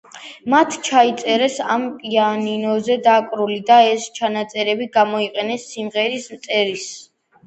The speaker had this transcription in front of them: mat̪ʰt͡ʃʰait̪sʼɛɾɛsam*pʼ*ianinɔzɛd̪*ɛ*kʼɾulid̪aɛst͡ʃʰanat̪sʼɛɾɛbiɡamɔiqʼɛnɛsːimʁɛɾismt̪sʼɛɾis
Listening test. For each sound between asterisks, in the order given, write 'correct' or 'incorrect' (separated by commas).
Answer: correct, incorrect